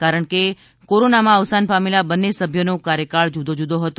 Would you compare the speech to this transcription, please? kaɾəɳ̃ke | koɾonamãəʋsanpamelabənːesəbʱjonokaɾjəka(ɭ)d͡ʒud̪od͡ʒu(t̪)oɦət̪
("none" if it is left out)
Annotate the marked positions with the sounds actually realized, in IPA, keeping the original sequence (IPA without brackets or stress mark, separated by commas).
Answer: ɭ, d̪